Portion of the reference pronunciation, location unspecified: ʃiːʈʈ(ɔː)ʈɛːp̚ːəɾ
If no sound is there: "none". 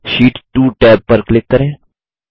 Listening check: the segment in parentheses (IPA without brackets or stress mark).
uː